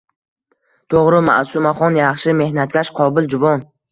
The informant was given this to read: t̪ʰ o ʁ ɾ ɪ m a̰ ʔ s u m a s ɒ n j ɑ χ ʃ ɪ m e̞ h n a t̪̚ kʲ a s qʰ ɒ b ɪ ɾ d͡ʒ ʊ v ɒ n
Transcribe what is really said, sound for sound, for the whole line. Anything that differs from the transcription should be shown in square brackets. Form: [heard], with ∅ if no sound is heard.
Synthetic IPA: t̪ʰ o ʁ ɾ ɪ m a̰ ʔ s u m a [χ] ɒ n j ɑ χ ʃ ɪ m e̞ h n a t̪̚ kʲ a [ʃ] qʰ ɒ b ɪ [l] d͡ʒ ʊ v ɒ n

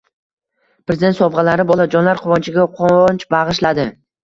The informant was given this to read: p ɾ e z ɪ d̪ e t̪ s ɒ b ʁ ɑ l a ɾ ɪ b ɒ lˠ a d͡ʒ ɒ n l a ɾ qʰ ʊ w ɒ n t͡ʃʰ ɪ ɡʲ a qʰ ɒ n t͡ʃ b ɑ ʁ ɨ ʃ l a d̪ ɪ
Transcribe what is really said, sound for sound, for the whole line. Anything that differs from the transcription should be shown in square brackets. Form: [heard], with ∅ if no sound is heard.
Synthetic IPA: p ɾ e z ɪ d̪ e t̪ s ɒ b ʁ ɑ l a ɾ ɪ b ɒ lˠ a d͡ʒ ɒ n l a ɾ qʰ ʊ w ɒ n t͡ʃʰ ɪ ɡʲ a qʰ [o] n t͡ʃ b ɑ ʁ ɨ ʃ l a d̪ ɪ

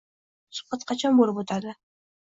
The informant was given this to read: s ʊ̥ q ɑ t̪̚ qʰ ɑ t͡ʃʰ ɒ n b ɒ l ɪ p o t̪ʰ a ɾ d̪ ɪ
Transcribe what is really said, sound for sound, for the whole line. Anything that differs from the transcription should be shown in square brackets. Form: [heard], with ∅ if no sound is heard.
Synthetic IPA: s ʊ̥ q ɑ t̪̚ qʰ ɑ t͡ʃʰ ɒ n b [o] l ɪ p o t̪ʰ a ɾ d̪ ɪ

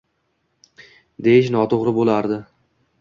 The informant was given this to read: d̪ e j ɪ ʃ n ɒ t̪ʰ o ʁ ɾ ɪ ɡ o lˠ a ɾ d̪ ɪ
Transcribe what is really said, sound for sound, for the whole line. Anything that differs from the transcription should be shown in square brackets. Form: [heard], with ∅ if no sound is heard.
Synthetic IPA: d̪ e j ɪ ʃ n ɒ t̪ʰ o ʁ ɾ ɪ [b] o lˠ a ɾ d̪ ɪ

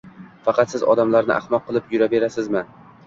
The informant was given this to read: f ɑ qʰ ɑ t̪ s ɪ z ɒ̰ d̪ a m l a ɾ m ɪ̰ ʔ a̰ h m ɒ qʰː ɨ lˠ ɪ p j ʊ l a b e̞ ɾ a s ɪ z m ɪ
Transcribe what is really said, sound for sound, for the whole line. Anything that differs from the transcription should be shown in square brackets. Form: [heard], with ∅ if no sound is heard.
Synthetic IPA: f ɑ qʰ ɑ t̪ s ɪ z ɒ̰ d̪ a m l a ɾ [n] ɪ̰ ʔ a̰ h m ɒ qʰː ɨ lˠ ɪ p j ʊ [ɾ] a b e̞ ɾ a s ɪ z m ɪ

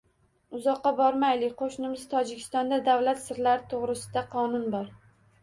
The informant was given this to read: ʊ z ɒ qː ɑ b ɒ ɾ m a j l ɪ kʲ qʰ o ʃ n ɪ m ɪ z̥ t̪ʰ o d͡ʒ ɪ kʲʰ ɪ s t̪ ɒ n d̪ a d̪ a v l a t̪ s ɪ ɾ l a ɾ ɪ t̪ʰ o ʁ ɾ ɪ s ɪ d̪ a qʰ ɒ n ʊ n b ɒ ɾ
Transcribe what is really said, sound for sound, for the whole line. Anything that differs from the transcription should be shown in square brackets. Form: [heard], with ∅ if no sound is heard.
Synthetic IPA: ʊ z ɒ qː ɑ b ɒ ɾ m a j l ɪ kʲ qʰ o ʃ n ɪ m ɪ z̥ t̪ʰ [ɒ] d͡ʒ ɪ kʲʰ ɪ s t̪ ɒ n d̪ a d̪ a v l a t̪ s ɪ ɾ l a ɾ ɪ t̪ʰ o ʁ ɾ ɪ s ɪ d̪ a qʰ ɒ n ʊ n b ɒ ɾ

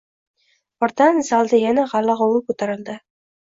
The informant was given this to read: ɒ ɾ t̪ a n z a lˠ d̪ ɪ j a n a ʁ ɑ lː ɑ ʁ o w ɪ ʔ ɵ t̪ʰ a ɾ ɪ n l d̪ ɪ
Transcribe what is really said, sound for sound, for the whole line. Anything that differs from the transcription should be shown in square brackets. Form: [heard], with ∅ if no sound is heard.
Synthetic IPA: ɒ ɾ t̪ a n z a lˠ d̪ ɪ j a n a ʁ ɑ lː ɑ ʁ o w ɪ [k] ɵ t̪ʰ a ɾ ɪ [∅] l d̪ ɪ

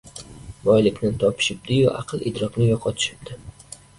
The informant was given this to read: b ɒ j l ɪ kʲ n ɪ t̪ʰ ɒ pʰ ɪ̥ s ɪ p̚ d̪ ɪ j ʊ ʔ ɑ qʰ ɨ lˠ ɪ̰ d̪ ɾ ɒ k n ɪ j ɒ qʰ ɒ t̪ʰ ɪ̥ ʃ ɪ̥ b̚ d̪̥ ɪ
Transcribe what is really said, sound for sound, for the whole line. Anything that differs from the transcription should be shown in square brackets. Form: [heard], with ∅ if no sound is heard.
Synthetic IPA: b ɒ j l ɪ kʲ n ɪ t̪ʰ ɒ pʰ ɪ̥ [ʃ] ɪ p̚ d̪ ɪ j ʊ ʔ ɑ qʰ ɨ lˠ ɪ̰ d̪ ɾ ɒ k n ɪ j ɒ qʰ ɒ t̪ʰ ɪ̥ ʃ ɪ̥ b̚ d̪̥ ɪ

